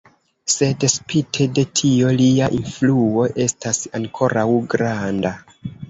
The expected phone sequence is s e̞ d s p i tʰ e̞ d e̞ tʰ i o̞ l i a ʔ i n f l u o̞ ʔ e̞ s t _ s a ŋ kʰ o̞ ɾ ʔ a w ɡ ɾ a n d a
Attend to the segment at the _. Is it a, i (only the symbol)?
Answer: a